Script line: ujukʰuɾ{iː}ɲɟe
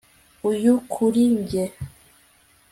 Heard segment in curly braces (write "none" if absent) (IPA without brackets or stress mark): i